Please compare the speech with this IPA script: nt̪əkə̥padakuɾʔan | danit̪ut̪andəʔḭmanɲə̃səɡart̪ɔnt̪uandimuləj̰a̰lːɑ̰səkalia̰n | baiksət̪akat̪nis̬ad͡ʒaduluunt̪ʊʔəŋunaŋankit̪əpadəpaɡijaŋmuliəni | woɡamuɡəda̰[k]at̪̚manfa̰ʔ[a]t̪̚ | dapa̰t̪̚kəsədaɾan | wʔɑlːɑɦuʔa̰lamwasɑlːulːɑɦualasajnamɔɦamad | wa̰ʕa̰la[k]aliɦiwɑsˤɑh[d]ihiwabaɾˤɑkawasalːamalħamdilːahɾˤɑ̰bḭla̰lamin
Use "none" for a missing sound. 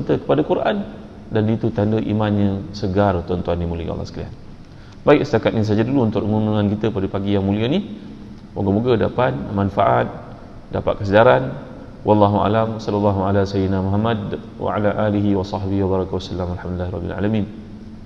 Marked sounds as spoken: p, a, ʔ, b

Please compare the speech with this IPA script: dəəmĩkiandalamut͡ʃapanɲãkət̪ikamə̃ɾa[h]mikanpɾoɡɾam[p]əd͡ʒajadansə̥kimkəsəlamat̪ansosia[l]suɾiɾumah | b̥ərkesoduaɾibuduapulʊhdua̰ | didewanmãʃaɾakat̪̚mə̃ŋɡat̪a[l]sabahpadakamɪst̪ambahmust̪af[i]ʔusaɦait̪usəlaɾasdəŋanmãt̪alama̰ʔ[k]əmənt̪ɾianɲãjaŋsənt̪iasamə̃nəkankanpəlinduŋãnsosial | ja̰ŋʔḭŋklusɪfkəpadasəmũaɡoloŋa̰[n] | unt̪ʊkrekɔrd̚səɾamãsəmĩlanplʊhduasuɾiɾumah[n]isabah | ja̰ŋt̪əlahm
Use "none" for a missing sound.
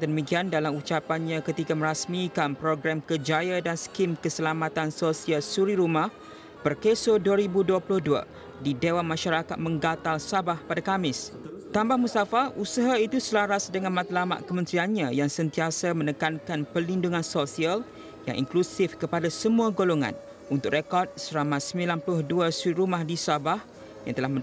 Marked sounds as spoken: s, k, l, l, a, k, n, d

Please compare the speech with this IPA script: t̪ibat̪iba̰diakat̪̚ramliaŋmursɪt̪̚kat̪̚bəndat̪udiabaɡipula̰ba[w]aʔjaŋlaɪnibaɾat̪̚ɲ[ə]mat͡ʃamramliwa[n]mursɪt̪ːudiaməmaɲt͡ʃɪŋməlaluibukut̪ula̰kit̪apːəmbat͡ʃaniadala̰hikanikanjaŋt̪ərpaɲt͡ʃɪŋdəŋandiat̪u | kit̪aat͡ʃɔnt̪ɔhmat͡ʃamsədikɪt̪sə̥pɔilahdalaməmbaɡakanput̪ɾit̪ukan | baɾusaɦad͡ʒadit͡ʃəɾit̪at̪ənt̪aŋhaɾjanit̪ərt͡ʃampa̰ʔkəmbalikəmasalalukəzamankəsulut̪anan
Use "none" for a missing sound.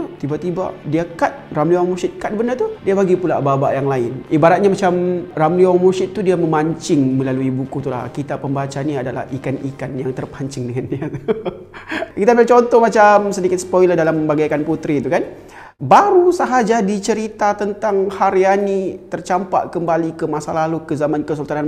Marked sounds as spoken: b, a, ŋ

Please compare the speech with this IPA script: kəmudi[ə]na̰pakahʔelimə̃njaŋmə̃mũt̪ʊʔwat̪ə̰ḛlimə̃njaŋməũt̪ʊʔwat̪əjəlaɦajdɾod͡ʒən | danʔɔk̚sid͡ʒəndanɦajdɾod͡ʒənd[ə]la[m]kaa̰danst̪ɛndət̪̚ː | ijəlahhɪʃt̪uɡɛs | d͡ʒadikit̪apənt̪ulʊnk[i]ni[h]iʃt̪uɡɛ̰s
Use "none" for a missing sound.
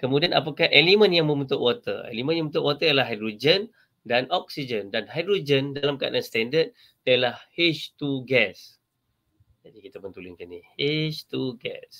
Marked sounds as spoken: a, a, m, a, h

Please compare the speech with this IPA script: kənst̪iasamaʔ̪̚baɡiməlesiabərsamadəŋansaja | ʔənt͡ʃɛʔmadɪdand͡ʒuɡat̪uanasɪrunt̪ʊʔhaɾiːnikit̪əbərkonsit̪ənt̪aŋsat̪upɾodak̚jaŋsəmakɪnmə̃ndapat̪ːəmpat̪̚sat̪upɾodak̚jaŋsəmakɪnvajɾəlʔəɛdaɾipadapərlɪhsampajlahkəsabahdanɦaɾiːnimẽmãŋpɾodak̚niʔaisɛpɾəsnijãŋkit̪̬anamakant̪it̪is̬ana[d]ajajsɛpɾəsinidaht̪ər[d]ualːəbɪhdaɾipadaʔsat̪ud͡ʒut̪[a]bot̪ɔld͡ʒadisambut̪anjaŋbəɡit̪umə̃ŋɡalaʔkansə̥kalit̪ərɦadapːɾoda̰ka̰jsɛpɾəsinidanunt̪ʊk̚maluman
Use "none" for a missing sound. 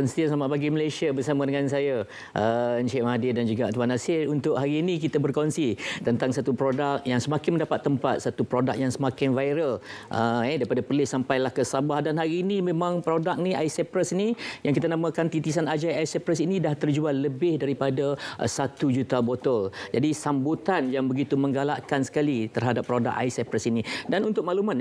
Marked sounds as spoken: d͡ʒ, d͡ʒ, a

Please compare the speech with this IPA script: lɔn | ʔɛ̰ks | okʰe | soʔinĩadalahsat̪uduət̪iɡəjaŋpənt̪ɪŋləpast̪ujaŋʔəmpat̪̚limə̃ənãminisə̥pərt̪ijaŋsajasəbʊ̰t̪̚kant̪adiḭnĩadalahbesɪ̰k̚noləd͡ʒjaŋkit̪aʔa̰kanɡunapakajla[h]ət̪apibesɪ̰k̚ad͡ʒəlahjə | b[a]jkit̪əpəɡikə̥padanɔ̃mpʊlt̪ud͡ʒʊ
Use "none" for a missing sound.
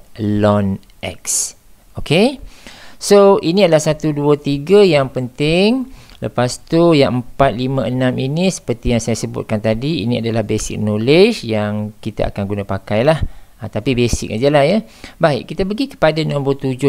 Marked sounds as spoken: h, a

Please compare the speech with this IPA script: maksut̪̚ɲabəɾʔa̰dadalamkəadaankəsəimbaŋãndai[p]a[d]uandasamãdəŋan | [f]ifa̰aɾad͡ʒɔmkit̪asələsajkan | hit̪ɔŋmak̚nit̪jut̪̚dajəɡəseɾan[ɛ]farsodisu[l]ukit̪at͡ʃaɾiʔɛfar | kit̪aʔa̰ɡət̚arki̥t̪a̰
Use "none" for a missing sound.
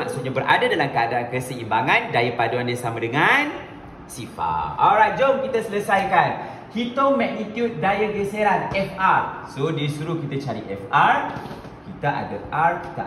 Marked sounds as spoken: p, d, s, ɛ, ɾ

